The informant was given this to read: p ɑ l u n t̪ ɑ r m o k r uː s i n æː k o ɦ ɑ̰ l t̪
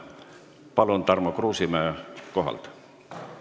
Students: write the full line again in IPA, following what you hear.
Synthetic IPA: p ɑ l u n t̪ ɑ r m o k r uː s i m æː k o ɦ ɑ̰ l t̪